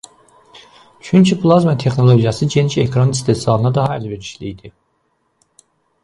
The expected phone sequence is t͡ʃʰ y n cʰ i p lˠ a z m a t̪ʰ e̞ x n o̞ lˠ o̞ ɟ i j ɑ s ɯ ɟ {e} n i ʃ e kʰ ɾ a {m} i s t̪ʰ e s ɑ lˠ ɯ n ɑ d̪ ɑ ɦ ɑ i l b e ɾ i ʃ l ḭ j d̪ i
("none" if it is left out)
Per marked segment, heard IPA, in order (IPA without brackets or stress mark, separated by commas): e, n